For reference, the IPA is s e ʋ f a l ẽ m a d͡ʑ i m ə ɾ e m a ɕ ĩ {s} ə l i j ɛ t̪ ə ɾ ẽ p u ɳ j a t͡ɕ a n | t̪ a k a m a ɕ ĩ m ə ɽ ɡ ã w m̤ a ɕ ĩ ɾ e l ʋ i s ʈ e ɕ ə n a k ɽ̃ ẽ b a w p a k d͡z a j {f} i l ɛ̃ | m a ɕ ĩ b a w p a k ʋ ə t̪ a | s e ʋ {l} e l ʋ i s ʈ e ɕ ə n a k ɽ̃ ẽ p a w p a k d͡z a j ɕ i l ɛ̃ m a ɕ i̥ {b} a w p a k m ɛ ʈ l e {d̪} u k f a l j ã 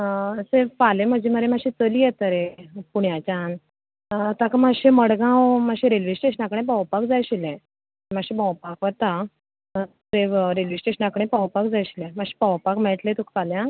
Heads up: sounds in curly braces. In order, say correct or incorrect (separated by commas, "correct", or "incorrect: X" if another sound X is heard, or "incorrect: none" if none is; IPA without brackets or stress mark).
incorrect: t͡s, incorrect: ɕ, incorrect: ɾ, incorrect: p, incorrect: t̪